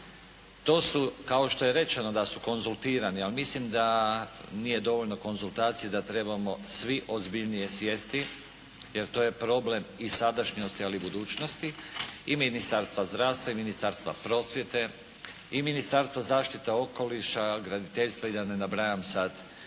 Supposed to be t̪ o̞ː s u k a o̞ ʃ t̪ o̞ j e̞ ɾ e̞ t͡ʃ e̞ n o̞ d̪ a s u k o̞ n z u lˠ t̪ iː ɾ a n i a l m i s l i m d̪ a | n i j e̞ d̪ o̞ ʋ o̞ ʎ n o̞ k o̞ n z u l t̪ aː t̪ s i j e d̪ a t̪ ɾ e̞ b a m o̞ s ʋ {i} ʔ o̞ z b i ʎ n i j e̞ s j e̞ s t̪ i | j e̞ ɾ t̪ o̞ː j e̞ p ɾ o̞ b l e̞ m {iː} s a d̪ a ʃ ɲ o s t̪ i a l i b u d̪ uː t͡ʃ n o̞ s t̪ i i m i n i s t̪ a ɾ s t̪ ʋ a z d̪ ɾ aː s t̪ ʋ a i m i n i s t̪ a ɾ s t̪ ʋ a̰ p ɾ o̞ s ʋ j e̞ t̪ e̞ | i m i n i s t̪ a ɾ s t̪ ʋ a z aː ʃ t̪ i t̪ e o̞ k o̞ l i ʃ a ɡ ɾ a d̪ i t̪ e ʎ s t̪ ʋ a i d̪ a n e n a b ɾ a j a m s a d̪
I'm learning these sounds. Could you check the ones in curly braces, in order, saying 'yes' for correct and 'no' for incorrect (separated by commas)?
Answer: yes, no